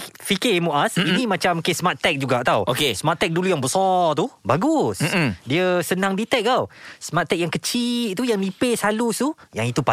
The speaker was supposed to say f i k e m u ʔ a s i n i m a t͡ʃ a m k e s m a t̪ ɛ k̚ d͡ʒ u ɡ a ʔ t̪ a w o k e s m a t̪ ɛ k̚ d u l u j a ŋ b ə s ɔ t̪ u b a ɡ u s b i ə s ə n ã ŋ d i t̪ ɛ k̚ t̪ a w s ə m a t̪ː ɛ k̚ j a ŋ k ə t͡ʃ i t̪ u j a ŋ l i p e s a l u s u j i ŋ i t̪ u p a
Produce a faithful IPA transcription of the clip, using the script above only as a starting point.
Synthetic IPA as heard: f i k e m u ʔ a s i n i m a t͡ʃ a m k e s m a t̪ ɛ k̚ d͡ʒ u ɡ a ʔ t̪ a w o k e s m a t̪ ɛ k̚ d u l u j a ŋ b ə s ɔ t̪ u b a ɡ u s d i ə s ə n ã ŋ d i t̪ ɛ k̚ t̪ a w s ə m a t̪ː ɛ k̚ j a ŋ k ə t͡ʃ i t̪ u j a ŋ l i p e s a l u s u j a ŋ i t̪ u p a